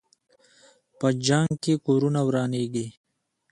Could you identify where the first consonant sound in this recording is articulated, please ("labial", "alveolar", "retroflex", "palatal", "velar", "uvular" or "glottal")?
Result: labial